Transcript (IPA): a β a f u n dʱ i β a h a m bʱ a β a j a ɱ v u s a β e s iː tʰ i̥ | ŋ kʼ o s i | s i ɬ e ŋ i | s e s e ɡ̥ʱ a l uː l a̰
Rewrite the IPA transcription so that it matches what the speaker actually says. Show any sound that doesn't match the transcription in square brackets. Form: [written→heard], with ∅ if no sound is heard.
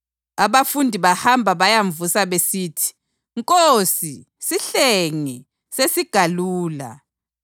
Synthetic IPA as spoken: a β a f u n dʱ i β a h a m bʱ a β a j a ɱ v u s a β e s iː tʰ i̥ | ŋ kʼ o s i | s i ɬ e ŋ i | s e s [e→i] ɡ̥ʱ a l uː l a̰